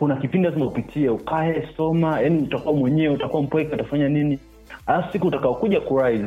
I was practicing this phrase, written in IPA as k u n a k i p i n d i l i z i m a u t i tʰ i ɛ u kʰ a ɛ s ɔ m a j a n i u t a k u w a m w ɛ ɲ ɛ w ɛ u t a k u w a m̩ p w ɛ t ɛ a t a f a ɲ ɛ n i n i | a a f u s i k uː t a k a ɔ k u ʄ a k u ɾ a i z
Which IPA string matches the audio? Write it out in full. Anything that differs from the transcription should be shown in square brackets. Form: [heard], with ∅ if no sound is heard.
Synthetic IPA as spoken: k u n a k i p i n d i l [a] z i m a u [p] i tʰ i ɛ u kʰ a ɛ s ɔ m a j a n i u t a k u w a m w ɛ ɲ ɛ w ɛ u t a k u w a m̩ p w ɛ [k] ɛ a t a f a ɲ [a] n i n i | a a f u s i k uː t a k a ɔ k u ʄ a k u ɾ a i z